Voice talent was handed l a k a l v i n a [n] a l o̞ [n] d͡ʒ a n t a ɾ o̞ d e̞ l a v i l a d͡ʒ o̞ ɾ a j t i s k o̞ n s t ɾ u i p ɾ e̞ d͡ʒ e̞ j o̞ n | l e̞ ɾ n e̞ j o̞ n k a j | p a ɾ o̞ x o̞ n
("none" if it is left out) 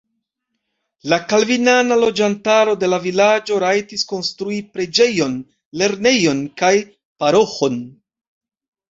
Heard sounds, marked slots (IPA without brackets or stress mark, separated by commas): n, none